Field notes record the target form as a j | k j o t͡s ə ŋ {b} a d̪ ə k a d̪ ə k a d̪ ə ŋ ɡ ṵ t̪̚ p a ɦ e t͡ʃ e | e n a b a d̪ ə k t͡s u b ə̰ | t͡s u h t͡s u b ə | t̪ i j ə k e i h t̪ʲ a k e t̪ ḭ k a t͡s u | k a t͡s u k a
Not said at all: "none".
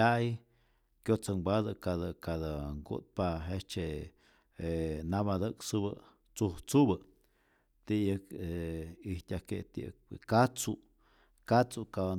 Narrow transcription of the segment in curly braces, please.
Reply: b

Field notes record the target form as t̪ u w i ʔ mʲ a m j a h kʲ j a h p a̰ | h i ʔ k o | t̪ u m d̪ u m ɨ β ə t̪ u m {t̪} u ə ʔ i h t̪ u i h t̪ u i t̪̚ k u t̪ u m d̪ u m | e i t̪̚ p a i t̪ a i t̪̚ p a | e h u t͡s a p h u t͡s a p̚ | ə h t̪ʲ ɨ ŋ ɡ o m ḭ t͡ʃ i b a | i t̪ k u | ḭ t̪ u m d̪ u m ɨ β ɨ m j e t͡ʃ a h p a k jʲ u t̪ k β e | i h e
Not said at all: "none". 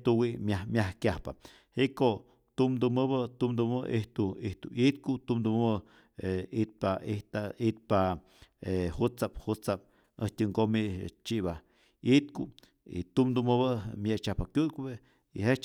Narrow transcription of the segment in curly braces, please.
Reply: d̪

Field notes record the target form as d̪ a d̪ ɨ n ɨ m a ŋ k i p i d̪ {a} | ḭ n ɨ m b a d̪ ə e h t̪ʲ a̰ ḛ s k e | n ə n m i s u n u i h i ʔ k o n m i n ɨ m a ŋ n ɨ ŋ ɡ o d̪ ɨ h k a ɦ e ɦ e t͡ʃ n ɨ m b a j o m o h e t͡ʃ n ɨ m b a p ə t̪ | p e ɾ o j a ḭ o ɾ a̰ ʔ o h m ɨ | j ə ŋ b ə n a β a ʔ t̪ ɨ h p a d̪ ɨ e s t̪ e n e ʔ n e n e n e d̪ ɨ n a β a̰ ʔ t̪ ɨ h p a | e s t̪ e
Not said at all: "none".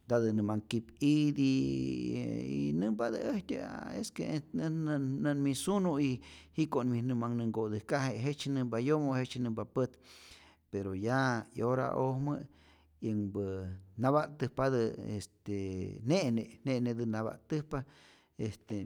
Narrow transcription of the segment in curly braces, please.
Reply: i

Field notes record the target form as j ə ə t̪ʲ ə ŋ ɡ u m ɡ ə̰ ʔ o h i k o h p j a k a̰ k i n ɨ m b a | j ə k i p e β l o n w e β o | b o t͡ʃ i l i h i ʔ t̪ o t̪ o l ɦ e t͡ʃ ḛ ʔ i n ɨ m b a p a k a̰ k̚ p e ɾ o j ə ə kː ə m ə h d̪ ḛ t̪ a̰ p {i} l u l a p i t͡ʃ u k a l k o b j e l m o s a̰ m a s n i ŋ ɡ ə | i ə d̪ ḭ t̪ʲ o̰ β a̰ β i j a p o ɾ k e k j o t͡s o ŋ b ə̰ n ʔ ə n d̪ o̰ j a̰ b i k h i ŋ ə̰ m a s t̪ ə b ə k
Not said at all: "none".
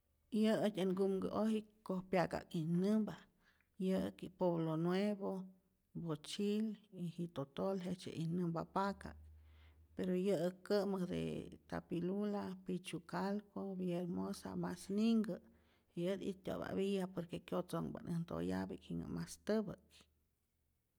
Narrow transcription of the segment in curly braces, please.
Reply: i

